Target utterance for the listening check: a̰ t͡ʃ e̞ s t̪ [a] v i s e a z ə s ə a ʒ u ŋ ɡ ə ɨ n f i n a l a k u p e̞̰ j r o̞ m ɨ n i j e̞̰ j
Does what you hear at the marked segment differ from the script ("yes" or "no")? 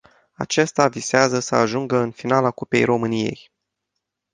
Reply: no